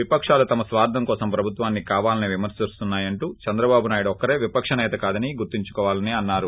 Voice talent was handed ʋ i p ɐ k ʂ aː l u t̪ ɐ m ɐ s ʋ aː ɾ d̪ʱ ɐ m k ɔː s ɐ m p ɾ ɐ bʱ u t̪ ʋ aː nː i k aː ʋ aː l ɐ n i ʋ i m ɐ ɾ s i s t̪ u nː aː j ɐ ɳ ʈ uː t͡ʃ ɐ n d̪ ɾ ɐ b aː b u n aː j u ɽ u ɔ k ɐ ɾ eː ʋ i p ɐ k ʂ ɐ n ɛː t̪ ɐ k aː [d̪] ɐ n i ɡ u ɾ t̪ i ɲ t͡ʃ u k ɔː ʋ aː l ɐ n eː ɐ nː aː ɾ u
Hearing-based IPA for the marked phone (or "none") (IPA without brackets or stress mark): d̪